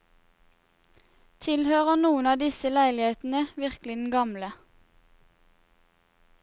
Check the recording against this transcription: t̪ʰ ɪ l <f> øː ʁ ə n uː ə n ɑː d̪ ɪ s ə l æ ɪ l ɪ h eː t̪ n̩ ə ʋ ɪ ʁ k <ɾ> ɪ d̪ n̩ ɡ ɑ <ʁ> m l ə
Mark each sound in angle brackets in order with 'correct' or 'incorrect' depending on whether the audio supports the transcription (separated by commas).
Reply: incorrect, incorrect, incorrect